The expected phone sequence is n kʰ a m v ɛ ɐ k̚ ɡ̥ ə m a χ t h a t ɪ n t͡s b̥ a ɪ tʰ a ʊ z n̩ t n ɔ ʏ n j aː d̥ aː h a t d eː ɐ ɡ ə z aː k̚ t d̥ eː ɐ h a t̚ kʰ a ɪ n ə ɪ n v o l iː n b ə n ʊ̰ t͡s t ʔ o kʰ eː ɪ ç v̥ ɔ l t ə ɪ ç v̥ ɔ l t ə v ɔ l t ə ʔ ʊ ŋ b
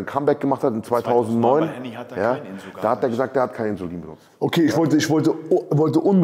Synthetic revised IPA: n kʰ a m b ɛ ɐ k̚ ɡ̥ ə m a χ t h a t ɪ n t͡s v̥ a ɪ tʰ a ʊ z n̩ t n ɔ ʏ n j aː d̥ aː h a t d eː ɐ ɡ ə z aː k̚ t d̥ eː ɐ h a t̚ kʰ a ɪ n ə ɪ n z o l iː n b ə n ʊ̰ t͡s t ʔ o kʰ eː ɪ ç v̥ ɔ l t ə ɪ ç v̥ ɔ l t ə v ɔ l t ə ʔ ʊ n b